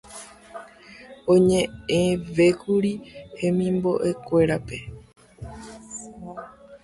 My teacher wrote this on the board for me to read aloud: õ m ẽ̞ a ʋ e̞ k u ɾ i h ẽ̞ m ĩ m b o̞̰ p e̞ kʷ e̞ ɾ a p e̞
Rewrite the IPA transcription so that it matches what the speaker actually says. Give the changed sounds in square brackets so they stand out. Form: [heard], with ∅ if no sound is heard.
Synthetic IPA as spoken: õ [ɲ] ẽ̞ [e] ʋ e̞ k u ɾ i h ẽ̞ m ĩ m b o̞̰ [ʔ] e̞ kʷ e̞ ɾ a p e̞